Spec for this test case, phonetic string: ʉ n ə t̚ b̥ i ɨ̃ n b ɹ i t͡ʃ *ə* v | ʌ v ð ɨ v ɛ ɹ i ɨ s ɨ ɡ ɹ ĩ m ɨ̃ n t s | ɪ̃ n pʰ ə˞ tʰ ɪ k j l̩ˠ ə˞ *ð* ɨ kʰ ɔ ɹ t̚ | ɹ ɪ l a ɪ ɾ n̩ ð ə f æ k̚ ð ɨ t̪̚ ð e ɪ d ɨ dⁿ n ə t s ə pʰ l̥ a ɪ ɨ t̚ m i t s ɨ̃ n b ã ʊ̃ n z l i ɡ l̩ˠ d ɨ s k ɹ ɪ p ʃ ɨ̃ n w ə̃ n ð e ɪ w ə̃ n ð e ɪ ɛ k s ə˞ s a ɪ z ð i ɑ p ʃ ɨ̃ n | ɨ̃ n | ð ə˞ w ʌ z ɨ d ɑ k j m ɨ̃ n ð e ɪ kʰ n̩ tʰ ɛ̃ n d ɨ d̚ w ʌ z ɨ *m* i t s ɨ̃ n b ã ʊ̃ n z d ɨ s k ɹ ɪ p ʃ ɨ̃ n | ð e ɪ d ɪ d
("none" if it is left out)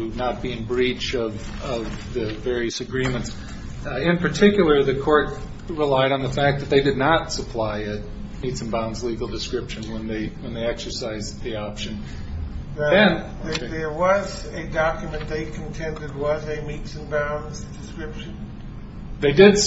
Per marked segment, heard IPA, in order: ʌ, ð, m

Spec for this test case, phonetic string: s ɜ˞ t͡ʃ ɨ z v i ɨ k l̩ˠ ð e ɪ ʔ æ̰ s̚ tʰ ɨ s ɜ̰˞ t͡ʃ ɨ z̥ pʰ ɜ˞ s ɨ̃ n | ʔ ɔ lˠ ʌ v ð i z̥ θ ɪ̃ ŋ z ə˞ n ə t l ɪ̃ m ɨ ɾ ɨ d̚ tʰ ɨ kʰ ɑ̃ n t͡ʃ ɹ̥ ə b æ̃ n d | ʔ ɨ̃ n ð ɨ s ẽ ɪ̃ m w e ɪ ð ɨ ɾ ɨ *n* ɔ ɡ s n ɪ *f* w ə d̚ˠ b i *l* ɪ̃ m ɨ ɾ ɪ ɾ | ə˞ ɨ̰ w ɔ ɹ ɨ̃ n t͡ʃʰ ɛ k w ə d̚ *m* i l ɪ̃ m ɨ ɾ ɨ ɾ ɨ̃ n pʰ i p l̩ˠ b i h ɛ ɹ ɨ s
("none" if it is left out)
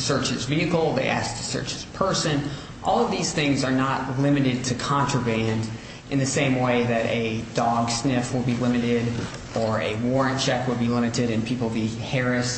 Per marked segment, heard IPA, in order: d, f, l, b

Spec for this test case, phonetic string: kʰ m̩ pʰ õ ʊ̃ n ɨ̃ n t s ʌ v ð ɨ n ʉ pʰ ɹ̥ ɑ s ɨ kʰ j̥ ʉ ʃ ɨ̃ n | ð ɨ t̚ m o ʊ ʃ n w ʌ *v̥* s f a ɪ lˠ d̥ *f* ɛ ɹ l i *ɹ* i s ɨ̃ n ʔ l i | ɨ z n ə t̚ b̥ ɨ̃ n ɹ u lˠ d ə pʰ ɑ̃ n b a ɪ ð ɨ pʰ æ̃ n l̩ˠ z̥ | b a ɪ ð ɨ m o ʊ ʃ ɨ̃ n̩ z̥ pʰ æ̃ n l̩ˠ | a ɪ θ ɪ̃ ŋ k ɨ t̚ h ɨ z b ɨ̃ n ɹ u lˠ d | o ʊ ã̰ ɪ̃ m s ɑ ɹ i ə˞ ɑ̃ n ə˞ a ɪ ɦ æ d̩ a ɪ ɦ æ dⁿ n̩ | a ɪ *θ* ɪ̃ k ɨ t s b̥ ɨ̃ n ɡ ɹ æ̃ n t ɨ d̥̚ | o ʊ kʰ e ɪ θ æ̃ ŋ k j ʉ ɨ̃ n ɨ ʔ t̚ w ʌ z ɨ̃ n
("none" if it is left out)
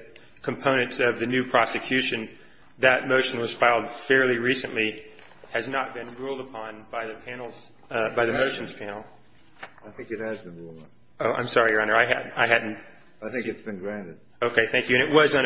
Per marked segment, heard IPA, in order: z̥, f, ɹ, θ

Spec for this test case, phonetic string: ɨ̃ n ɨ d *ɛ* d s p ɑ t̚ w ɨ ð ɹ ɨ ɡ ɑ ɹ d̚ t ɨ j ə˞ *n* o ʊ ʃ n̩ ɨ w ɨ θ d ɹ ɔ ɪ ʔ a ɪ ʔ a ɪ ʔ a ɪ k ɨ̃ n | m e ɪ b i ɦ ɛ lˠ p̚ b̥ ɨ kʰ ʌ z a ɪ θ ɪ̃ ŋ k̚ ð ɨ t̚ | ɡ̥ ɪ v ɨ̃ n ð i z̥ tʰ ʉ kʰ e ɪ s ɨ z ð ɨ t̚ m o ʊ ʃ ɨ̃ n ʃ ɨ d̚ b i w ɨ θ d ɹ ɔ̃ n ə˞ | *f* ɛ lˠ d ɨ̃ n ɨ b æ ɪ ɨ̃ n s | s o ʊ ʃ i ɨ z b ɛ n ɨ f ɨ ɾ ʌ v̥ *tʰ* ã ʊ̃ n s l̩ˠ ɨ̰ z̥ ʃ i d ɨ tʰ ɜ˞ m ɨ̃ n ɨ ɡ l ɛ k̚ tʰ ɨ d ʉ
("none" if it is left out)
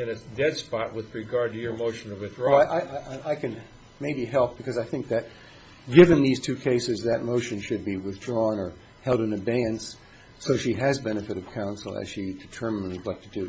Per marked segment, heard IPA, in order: ɛ, m, h, kʰ

